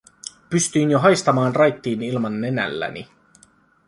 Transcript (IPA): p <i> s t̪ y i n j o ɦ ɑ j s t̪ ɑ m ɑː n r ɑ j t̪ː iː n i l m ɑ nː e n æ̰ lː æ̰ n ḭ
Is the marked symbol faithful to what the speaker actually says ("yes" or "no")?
no